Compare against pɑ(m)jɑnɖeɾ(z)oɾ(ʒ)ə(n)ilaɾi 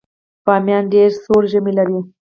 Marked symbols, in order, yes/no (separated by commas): yes, no, yes, no